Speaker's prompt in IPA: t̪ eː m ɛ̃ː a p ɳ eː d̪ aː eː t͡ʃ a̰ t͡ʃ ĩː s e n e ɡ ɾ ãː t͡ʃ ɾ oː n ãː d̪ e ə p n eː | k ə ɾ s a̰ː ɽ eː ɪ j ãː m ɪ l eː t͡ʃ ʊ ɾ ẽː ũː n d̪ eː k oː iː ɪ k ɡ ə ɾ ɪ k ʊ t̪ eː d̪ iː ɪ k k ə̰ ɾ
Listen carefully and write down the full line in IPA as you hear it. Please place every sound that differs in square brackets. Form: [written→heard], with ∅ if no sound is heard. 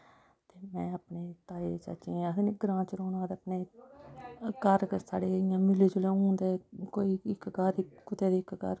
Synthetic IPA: t̪ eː m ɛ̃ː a p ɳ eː [d̪→t̪] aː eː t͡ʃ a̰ t͡ʃ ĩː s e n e ɡ ɾ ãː t͡ʃ ɾ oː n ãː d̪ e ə p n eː | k ə ɾ s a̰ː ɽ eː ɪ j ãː m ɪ l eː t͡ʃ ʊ [ɾ→l] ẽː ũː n d̪ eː k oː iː ɪ k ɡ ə ɾ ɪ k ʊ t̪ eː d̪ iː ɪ k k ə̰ ɾ

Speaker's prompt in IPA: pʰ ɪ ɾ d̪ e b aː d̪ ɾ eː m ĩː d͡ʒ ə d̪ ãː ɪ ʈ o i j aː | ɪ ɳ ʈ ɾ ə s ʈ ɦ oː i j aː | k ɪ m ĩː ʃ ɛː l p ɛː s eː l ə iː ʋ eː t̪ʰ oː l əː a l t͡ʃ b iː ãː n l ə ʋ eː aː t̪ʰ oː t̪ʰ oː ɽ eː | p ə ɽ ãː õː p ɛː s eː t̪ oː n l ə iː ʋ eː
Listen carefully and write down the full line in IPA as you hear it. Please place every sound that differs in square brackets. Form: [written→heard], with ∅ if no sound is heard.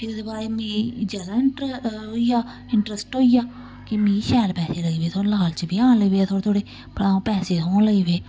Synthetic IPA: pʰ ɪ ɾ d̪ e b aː [d̪→∅] ɾ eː m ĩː d͡ʒ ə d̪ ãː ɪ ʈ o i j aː | ɪ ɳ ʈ ɾ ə s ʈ ɦ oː i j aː | k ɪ m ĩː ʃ ɛː l p ɛː s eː l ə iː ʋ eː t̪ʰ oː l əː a l t͡ʃ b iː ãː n l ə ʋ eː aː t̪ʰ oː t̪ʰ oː ɽ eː | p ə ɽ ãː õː p ɛː s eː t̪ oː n l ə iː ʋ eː

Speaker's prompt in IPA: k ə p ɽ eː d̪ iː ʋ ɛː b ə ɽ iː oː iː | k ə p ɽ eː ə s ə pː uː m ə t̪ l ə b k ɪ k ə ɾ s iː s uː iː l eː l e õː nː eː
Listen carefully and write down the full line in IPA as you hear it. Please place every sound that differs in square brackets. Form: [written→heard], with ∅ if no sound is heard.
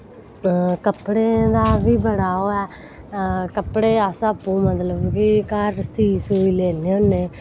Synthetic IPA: k ə p ɽ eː d̪ [iː→aː] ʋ [ɛː→iː] b ə ɽ [iː→aː] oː [iː→ɛː] | k ə p ɽ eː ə s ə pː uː m ə t̪ l ə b k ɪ k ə ɾ s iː s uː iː l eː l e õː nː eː

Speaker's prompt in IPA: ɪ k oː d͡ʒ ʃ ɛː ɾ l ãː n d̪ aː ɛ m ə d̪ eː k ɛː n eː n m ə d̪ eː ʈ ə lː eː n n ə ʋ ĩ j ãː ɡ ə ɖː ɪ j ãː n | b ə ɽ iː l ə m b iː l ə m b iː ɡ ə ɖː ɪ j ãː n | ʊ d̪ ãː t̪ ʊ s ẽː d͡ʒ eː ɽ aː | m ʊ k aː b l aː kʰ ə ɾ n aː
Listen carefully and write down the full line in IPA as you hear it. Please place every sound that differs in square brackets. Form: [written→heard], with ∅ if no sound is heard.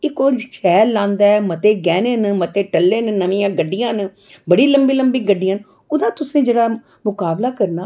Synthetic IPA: ɪ k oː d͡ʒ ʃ ɛː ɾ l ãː n d̪ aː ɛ m ə [d̪→t̪] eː [k→ɡ] ɛː n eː n m ə [d̪→t̪] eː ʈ ə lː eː n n ə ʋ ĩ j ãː ɡ ə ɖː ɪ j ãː n | b ə ɽ iː l ə m b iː l ə m b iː ɡ ə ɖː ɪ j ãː n | ʊ d̪ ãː t̪ ʊ s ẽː d͡ʒ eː ɽ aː | m ʊ k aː b l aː [kʰ→k] ə ɾ n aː

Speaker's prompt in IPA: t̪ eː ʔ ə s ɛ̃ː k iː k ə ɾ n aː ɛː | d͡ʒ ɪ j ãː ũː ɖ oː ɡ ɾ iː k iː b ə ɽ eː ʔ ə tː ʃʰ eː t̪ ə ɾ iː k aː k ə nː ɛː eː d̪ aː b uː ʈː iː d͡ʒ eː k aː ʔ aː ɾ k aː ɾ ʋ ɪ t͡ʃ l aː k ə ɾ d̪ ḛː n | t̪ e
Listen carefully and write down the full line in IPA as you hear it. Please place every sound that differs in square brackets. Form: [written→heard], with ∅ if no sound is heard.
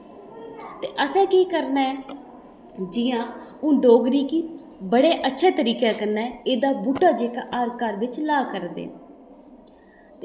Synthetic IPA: t̪ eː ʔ ə s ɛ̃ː k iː k ə ɾ n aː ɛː | d͡ʒ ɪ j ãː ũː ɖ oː ɡ ɾ iː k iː b ə ɽ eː ʔ ə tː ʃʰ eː t̪ ə ɾ iː k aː k ə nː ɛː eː d̪ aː b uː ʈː [iː→aː] d͡ʒ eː k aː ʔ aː ɾ k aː ɾ ʋ ɪ t͡ʃ l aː k ə ɾ d̪ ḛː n | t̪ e

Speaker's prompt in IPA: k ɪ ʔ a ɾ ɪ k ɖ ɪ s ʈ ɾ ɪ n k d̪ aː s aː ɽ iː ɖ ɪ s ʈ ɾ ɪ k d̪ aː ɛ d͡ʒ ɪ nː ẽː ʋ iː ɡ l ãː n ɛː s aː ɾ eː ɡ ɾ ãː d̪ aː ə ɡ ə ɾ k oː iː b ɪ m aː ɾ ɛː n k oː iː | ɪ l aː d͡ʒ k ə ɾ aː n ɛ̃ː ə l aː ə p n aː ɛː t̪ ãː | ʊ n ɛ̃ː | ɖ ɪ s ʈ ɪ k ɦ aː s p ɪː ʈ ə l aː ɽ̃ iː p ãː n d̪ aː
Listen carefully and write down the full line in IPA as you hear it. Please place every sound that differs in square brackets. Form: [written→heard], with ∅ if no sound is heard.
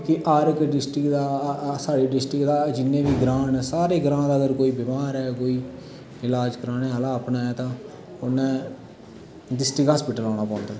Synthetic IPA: k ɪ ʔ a ɾ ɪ k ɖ ɪ s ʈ ɾ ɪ [n→∅] k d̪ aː s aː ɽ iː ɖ ɪ s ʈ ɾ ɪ k d̪ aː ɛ d͡ʒ ɪ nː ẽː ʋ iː ɡ [l→ɾ] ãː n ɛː s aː ɾ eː ɡ ɾ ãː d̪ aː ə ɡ ə ɾ k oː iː b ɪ m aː ɾ ɛː [n→∅] k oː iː | ɪ l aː d͡ʒ k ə ɾ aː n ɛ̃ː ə l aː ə p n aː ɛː t̪ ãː | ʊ n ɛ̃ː | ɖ ɪ s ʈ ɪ k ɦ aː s p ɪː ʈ ə l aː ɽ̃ [iː→aː] p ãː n d̪ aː

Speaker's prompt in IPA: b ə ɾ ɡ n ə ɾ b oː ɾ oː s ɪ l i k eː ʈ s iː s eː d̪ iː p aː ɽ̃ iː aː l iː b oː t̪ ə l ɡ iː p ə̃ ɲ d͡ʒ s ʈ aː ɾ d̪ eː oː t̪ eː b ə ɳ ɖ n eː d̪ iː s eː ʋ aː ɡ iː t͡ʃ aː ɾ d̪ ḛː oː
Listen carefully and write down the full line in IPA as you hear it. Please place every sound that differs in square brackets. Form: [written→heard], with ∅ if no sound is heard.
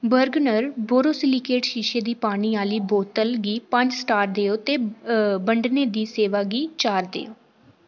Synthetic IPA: b ə ɾ ɡ n ə ɾ b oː ɾ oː s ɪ l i k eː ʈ [s→ʃ] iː [s→ʃ] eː d̪ iː p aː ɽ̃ iː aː l iː b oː t̪ ə l ɡ iː p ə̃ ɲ d͡ʒ s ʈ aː ɾ d̪ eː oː t̪ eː b ə ɳ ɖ n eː d̪ iː s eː ʋ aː ɡ iː t͡ʃ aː ɾ d̪ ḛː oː

